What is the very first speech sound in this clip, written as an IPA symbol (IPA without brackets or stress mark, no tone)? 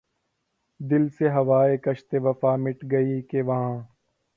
d̪